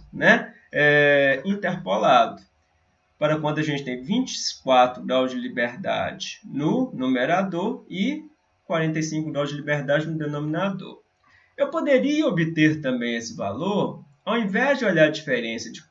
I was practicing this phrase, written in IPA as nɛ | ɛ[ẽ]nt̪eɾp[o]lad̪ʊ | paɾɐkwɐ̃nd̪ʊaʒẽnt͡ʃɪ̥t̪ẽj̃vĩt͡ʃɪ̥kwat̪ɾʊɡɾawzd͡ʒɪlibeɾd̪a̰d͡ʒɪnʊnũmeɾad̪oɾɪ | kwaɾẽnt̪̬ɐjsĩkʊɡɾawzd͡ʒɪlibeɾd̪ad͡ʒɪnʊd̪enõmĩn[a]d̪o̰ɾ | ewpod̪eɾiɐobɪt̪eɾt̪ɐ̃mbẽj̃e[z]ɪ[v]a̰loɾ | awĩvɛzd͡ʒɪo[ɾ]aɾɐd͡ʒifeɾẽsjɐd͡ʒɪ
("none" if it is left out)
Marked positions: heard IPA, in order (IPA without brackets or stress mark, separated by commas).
ĩ, o, a, s, v, ʎ